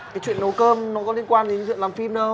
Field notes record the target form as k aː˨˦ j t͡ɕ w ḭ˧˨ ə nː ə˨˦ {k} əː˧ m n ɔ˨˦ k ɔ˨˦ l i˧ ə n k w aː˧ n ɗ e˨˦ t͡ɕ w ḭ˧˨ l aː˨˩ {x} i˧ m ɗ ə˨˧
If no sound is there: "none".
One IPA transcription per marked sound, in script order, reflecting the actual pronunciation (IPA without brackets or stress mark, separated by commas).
k, f